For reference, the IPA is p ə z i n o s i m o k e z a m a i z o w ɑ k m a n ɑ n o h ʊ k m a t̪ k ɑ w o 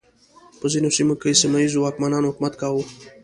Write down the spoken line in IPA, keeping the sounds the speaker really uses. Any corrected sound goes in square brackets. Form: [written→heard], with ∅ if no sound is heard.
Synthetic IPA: p ə z i n o s i m o k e [z→s] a m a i z o w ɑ k m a n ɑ n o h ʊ k m a t̪ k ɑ w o